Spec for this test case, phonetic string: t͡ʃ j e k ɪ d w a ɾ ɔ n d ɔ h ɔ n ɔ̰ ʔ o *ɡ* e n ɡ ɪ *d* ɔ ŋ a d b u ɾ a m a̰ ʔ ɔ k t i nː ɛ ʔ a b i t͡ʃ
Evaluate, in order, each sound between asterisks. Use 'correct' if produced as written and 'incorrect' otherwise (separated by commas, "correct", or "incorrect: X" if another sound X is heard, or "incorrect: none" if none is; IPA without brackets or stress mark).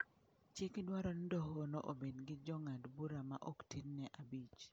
incorrect: b, incorrect: d͡ʒ